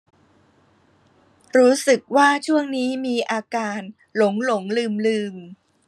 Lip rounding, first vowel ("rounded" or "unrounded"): rounded